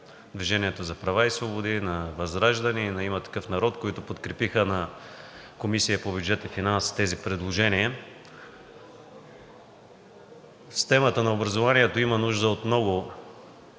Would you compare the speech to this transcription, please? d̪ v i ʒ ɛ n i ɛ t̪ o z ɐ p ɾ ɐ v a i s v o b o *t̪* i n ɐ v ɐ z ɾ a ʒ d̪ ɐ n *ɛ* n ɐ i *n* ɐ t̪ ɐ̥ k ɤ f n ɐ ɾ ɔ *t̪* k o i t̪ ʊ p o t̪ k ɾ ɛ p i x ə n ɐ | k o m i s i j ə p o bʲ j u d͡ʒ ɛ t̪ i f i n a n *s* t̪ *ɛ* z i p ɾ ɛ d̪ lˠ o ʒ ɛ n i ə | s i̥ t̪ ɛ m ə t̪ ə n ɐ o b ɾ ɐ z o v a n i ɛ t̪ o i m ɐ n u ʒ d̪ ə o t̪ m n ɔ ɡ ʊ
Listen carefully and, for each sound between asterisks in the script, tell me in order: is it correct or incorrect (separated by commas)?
incorrect, incorrect, incorrect, correct, correct, correct